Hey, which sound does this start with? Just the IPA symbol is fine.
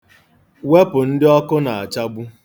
w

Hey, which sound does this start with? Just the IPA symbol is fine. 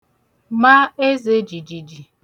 m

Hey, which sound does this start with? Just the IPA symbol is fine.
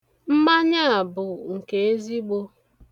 m̩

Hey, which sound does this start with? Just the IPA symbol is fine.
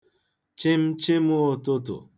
t͡ʃ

